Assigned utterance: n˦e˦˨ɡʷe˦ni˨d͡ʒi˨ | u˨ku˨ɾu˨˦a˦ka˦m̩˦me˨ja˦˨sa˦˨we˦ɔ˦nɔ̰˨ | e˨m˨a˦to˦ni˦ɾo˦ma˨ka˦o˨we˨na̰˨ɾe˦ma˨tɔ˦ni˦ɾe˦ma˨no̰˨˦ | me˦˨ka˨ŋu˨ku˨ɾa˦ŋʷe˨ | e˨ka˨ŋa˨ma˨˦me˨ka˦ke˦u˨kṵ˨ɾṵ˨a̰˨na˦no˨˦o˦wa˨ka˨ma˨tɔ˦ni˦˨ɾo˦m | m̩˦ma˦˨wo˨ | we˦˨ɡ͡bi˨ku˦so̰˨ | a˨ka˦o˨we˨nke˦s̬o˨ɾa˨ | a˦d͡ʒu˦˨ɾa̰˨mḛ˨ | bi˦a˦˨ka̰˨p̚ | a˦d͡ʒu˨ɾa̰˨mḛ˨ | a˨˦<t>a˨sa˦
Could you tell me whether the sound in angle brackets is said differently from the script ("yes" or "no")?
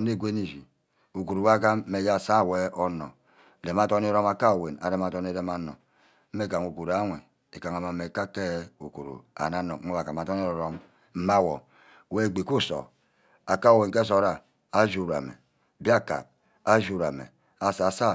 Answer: yes